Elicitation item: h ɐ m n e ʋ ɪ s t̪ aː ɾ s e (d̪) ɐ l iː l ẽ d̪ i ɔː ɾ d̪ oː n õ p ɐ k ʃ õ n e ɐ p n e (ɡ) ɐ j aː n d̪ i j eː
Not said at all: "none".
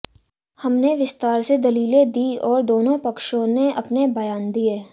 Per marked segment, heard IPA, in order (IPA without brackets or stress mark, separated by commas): d̪, b